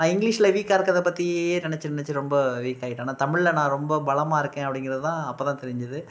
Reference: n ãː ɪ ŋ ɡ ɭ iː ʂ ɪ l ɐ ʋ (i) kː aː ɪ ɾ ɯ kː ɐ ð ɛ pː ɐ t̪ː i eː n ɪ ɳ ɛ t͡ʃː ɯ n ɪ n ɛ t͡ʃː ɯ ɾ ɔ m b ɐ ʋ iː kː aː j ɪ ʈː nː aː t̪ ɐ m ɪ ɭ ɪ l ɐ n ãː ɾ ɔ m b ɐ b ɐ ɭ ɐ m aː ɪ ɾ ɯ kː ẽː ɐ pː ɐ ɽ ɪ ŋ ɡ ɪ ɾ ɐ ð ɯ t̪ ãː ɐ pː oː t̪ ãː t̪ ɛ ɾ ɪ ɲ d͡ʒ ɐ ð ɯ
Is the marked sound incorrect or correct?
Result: incorrect: iː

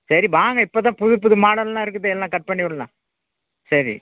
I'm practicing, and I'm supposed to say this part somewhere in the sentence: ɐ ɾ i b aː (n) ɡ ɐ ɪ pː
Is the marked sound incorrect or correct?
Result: incorrect: ŋ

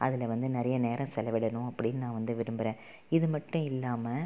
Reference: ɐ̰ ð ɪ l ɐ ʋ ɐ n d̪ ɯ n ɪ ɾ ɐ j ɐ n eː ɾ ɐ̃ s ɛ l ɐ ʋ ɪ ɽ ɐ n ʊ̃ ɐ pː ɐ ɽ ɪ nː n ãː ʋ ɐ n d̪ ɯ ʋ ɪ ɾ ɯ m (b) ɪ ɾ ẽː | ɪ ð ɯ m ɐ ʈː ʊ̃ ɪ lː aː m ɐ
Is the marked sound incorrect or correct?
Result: correct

